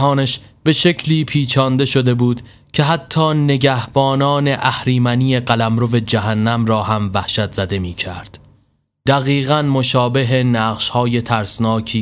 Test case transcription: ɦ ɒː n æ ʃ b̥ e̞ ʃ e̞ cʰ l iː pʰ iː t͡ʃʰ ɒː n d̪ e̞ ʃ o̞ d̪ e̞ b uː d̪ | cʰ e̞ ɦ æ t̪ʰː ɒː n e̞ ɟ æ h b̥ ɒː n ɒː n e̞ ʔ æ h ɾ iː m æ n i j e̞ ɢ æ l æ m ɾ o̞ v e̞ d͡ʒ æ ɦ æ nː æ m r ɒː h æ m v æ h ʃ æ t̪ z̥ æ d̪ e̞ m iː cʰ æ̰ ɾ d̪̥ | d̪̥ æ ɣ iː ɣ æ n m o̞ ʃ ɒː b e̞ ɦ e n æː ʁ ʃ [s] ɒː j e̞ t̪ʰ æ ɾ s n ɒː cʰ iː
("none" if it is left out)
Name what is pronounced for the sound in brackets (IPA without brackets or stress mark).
h